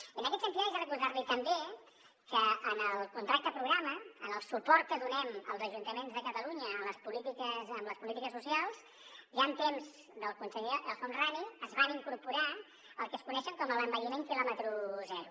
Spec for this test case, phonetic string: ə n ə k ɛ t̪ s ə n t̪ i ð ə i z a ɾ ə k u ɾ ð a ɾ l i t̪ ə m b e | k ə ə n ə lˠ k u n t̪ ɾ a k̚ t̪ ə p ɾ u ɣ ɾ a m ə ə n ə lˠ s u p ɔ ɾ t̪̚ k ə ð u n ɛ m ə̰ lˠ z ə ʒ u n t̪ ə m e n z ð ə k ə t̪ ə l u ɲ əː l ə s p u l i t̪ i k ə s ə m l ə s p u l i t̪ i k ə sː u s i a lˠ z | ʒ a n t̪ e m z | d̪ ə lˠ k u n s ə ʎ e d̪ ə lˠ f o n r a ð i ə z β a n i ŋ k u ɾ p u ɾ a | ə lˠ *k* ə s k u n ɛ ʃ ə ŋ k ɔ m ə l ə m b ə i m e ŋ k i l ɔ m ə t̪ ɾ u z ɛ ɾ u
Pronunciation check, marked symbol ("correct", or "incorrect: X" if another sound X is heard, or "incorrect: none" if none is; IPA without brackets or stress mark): correct